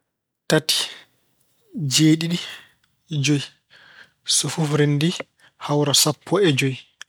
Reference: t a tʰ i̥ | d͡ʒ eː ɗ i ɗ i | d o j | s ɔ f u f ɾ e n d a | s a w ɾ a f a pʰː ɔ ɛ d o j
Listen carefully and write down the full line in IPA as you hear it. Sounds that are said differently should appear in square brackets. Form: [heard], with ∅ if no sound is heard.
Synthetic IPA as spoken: t a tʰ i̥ | d͡ʒ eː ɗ i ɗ i | [d͡ʒ] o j | s ɔ f u f ɾ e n d [i] | [h] a w ɾ a [s] a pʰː ɔ ɛ [d͡ʒ] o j